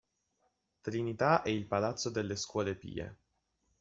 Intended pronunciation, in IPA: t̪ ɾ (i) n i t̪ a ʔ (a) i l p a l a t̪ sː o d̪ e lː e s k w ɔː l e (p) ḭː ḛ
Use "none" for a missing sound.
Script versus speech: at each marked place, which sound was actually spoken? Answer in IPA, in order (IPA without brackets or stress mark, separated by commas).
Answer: i, ɛ, p